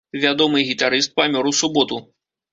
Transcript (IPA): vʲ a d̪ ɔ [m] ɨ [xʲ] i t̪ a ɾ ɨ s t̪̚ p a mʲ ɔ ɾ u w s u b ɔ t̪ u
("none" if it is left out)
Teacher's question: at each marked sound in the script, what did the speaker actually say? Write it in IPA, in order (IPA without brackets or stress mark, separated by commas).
m, ɣʲ